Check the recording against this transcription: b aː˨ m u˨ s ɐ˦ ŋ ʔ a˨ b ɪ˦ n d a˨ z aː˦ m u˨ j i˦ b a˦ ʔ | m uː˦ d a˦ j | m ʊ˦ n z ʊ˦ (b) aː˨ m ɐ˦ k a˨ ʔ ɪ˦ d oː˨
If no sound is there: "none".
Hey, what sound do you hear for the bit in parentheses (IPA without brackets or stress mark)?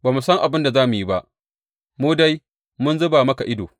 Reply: b